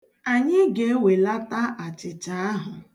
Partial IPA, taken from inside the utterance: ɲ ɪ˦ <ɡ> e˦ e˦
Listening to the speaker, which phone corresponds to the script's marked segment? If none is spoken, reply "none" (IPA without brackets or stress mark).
ɡ